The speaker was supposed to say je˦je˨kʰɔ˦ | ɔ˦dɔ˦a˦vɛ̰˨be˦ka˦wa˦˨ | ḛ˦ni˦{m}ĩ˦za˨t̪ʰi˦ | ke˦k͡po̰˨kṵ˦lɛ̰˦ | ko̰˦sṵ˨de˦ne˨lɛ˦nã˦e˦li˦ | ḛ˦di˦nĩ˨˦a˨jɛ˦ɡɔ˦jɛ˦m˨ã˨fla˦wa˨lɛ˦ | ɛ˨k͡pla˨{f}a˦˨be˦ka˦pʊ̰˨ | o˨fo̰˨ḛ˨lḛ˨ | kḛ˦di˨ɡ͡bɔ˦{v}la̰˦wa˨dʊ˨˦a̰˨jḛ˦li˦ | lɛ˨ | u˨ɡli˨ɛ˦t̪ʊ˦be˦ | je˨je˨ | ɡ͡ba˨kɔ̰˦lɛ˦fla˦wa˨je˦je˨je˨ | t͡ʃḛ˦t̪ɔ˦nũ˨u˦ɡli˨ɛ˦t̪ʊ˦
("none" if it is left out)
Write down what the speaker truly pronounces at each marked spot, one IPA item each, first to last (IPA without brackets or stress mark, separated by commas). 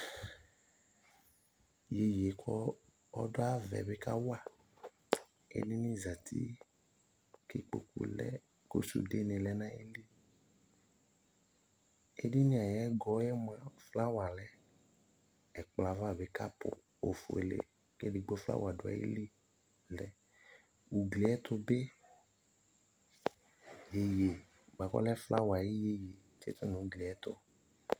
n, v, f